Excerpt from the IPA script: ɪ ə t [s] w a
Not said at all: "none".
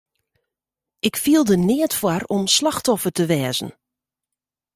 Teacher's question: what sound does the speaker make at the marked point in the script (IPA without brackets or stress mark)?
f